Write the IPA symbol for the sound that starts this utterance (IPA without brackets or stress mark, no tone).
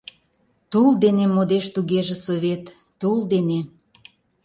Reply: t̪